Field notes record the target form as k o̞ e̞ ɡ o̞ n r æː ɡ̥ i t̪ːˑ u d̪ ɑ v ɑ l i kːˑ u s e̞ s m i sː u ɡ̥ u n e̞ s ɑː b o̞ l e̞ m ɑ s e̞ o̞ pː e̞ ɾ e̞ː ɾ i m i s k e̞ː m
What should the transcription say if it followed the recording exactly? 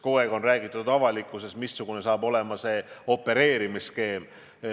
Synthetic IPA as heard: k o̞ e̞ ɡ o̞ n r æː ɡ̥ i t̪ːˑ u d̪ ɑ v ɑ l i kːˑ u s e̞ s m i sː u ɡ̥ u n e̞ s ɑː b o̞ l e̞ m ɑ s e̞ o̞ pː e̞ ɾ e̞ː ɾ i m i s k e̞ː m